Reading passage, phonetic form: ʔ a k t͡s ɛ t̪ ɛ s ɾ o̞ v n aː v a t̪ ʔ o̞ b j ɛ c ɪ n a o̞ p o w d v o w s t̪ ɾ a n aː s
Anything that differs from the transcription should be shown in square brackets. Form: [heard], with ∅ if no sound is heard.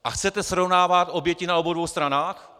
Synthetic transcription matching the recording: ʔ a [x] t͡s ɛ t̪ ɛ s ɾ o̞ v n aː v a t̪ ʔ o̞ b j ɛ c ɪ n a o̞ [b] o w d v o w s t̪ ɾ a n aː [x]